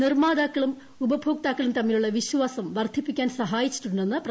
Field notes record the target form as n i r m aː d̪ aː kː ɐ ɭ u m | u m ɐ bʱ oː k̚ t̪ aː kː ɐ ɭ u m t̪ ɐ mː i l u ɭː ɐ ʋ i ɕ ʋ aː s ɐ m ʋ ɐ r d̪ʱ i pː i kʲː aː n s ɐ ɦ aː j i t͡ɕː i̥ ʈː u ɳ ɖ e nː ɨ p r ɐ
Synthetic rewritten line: n i r m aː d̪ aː kː ɐ ɭ u m | u b ɐ bʱ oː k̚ t̪ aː kː ɐ ɭ u m t̪ ɐ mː i l u ɭː ɐ ʋ i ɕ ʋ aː s ɐ m ʋ ɐ r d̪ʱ i pː i kʲː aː n s ɐ ɦ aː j i t͡ɕː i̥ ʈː u ɳ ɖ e nː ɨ p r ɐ